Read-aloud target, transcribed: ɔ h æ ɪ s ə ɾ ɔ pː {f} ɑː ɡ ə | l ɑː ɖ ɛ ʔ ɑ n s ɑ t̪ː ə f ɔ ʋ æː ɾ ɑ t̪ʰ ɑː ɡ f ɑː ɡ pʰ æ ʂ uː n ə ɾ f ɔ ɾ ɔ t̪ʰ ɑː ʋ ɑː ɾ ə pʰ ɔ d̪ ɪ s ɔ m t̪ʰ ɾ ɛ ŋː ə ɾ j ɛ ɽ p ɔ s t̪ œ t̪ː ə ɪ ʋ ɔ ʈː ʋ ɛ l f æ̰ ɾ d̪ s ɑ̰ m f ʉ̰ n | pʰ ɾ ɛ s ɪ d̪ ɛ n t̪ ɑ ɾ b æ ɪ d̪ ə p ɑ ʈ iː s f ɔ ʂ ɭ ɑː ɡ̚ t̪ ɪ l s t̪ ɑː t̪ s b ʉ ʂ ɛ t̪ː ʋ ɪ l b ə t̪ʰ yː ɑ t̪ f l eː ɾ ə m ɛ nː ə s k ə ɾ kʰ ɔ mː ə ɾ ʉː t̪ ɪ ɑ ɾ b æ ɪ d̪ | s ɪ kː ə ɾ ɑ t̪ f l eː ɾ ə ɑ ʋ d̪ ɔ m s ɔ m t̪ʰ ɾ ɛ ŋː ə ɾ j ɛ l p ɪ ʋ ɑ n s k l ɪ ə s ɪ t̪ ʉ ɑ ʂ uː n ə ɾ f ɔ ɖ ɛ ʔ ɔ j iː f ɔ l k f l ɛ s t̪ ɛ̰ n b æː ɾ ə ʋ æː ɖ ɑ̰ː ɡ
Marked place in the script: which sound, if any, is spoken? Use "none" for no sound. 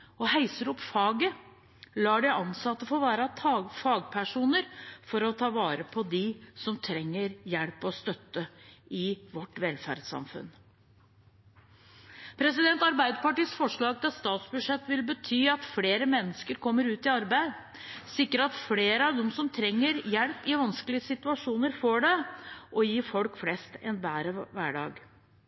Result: f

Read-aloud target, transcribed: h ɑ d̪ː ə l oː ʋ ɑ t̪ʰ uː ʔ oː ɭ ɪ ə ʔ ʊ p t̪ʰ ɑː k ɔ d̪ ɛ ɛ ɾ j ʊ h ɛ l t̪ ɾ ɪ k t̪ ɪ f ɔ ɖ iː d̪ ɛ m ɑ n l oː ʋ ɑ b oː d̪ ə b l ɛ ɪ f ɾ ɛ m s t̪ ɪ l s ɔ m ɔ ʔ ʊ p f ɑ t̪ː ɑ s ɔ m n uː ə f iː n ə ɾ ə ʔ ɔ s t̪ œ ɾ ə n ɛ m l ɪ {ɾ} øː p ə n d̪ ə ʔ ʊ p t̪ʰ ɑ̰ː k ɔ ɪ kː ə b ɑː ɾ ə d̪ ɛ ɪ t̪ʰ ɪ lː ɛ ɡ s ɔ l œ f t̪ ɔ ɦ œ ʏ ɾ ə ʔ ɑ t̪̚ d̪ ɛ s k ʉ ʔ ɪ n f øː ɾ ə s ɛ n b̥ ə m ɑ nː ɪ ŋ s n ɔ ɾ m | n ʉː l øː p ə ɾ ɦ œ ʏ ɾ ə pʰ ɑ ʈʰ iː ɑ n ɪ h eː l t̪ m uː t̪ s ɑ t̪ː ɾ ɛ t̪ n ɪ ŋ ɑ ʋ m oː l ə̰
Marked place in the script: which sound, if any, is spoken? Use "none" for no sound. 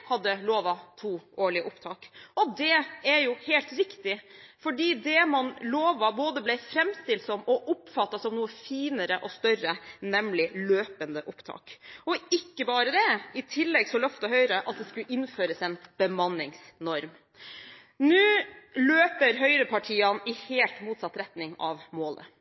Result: l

